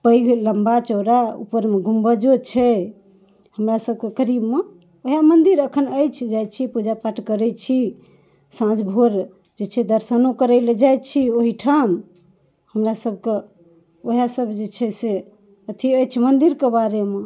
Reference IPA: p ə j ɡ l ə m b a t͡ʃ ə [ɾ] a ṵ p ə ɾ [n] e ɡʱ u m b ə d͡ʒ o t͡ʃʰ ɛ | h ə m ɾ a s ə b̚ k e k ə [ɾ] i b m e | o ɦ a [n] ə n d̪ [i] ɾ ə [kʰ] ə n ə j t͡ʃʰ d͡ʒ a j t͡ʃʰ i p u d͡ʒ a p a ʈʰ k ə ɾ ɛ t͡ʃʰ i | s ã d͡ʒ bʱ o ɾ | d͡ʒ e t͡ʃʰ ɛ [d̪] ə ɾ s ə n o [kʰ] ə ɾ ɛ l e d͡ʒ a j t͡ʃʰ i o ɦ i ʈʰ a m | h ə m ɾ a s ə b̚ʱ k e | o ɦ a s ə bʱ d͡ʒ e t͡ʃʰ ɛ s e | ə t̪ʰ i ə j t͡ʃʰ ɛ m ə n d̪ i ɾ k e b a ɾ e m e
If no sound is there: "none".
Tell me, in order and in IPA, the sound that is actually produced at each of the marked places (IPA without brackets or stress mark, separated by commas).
ɾ, m, ɾ, m, i, kʰ, d̪, k